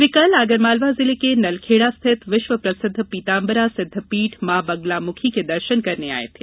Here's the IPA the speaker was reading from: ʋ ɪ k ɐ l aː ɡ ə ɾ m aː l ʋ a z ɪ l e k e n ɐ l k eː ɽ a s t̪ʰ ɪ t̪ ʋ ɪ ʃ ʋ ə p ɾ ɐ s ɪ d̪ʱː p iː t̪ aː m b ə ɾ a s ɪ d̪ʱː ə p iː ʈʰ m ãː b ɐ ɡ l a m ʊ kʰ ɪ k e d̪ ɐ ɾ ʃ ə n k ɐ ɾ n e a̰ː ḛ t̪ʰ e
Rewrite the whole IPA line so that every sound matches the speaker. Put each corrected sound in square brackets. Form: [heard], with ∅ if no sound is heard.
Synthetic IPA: ʋ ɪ k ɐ l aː ɡ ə ɾ m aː l ʋ a z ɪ l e k e n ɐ l [kʰ] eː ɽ a s t̪ʰ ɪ t̪ ʋ ɪ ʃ ʋ ə p ɾ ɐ s ɪ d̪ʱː p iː t̪ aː m b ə ɾ a s ɪ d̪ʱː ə p iː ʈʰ m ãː b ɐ ɡ l a m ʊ kʰ [i] k e d̪ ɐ ɾ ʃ ə n k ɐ ɾ n e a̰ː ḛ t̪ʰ e